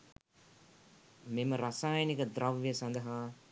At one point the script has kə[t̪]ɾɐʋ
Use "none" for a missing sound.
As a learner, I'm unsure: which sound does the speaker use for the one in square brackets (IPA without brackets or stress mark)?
d̪